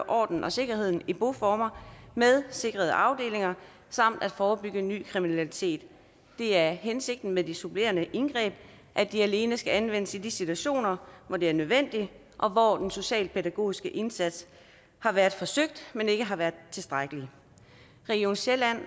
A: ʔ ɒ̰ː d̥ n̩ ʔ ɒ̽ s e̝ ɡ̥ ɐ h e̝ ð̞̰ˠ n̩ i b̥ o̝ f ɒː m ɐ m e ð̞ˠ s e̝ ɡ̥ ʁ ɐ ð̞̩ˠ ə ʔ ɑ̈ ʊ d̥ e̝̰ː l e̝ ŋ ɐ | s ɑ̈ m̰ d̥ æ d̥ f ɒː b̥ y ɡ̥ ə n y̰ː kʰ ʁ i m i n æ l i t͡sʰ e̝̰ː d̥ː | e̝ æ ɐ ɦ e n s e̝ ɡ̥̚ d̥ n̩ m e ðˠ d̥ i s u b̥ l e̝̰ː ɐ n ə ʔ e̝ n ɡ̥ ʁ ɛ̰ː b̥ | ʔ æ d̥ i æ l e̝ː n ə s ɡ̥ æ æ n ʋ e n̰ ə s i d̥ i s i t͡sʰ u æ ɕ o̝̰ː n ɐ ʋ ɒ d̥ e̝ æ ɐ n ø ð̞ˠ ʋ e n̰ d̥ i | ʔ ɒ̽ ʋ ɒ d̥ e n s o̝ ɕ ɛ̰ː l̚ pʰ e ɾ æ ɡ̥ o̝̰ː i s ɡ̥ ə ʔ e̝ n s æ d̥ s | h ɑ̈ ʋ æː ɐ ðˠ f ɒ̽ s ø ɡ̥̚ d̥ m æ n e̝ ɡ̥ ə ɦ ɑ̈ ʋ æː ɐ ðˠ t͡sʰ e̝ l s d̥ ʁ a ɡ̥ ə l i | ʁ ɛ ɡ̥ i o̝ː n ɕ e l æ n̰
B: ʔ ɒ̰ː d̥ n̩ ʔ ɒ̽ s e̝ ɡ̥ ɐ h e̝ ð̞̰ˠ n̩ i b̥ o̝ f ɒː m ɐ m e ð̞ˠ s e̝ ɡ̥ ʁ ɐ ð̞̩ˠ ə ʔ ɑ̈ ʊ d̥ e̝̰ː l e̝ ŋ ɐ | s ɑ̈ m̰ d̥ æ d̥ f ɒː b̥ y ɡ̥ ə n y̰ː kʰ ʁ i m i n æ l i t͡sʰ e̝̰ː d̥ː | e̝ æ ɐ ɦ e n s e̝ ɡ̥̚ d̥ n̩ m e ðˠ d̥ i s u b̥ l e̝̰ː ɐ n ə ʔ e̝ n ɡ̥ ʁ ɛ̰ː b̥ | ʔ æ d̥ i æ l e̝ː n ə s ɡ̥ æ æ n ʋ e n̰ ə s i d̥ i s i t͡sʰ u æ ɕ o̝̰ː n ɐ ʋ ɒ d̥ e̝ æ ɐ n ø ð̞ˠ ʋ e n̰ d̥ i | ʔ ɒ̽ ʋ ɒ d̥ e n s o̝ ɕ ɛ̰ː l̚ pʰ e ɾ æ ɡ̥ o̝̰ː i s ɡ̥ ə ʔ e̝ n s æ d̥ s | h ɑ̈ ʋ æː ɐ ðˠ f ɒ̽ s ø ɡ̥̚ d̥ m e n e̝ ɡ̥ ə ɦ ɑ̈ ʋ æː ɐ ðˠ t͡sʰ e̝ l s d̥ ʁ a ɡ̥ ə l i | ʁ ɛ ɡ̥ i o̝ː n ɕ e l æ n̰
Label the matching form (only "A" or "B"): B